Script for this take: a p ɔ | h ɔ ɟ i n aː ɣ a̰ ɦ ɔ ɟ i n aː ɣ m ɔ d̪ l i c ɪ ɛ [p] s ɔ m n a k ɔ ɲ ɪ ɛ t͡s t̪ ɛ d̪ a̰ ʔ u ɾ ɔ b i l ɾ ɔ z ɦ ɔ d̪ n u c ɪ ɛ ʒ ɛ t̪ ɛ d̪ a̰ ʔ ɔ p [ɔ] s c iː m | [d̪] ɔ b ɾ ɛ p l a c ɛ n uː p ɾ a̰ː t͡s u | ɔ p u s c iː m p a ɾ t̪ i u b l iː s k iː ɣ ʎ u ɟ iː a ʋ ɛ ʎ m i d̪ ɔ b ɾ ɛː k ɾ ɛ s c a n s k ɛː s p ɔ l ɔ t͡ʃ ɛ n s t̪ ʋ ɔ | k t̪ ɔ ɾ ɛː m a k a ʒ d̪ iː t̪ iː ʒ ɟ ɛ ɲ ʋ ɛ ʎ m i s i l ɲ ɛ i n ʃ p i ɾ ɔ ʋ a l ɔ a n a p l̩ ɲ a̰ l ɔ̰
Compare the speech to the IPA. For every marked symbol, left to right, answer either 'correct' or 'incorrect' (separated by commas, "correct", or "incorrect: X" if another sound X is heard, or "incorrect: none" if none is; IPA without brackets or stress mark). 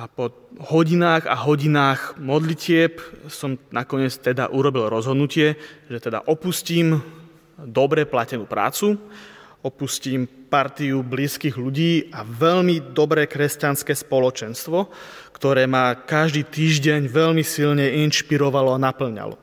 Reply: correct, incorrect: u, correct